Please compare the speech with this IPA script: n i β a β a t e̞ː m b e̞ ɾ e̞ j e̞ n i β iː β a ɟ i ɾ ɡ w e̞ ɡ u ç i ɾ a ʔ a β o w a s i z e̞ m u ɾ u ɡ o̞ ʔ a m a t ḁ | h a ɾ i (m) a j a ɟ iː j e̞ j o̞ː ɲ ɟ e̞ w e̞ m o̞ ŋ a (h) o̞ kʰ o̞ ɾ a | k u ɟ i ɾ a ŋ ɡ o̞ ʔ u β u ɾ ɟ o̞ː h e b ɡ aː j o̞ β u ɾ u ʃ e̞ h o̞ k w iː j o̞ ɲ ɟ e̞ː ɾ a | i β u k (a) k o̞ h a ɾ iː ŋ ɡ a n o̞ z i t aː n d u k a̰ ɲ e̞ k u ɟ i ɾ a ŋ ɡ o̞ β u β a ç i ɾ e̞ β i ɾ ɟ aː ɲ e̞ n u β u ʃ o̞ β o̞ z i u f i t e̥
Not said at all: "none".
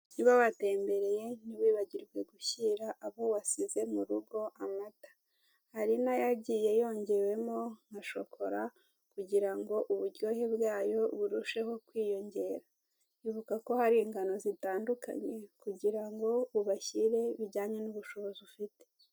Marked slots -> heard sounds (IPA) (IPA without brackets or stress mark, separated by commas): n, ʃ, a